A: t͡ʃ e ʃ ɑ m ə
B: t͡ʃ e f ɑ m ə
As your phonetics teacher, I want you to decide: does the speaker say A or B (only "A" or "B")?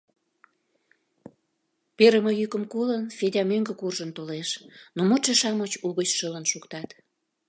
A